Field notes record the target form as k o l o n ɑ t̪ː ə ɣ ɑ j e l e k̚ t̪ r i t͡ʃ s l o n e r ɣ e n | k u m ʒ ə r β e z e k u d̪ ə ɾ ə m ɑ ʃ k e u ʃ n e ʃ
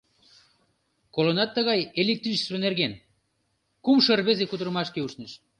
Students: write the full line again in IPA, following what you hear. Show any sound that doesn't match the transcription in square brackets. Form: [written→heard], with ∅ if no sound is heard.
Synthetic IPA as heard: k o l o n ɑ t̪ː ə ɣ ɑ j e l e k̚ t̪ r i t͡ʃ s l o n e r ɣ e n | k u m [ʒ→ʃ] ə r β e z e k u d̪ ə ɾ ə m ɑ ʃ k e u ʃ n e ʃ